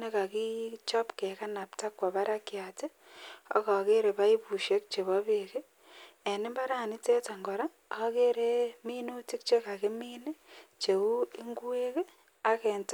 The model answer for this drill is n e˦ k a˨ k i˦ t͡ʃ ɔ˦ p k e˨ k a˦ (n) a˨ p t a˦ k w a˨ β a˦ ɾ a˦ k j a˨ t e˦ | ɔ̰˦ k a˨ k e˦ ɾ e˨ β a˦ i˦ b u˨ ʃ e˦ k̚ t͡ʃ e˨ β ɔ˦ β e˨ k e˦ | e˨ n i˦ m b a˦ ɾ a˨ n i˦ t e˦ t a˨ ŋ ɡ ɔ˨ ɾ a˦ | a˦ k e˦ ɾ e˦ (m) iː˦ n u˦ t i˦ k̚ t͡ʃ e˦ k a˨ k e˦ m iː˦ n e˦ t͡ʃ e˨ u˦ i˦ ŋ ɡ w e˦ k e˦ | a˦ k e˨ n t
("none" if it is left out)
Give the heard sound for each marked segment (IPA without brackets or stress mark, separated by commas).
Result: n, m